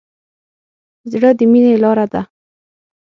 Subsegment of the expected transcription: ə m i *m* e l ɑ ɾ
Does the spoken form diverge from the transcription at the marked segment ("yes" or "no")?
yes